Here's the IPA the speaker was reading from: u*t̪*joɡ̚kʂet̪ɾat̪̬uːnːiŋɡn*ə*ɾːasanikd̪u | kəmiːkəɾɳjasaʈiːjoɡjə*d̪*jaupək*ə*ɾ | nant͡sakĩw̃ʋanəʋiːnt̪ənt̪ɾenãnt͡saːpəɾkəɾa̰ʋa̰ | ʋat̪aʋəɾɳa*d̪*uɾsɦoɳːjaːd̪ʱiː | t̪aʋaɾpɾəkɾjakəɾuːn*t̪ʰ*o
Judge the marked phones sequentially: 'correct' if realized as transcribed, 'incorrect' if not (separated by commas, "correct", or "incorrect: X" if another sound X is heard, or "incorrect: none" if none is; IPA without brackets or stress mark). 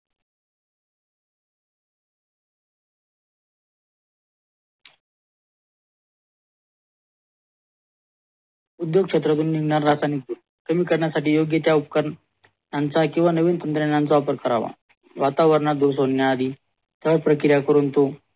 incorrect: d̪, incorrect: a, incorrect: t̪, correct, correct, incorrect: t̪